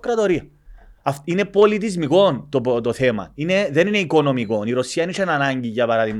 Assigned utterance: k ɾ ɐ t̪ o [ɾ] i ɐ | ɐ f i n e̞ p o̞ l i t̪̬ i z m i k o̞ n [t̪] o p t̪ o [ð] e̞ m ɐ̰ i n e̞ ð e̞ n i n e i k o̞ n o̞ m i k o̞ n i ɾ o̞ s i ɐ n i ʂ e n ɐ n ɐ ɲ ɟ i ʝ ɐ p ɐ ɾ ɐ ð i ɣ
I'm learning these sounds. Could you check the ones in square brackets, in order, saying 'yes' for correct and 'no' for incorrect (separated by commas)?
yes, yes, no